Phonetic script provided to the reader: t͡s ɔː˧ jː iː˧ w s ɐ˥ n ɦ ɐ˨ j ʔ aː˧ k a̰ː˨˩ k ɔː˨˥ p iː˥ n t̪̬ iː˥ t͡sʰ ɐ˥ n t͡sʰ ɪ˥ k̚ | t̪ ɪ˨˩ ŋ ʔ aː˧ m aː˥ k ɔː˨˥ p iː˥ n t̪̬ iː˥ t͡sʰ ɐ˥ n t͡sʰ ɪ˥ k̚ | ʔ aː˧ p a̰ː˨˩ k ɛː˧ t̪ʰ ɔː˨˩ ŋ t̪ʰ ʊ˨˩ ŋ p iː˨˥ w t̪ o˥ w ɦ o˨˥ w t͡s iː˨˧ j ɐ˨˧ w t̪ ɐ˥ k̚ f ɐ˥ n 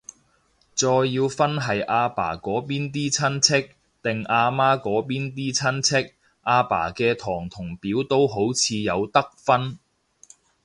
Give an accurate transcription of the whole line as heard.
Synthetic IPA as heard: t͡s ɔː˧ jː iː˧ w f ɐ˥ n ɦ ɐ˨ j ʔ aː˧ p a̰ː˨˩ k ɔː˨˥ p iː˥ n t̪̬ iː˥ t͡sʰ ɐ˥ n t͡sʰ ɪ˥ k̚ | t̪ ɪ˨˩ ŋ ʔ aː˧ m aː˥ k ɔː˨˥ p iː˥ n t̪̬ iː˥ t͡sʰ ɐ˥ n t͡sʰ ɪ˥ k̚ | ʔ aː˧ p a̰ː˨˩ k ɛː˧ t̪ʰ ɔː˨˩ ŋ t̪ʰ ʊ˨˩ ŋ p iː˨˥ w t̪ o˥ w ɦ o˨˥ w t͡sʰ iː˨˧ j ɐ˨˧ w t̪ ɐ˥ k̚ f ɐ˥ n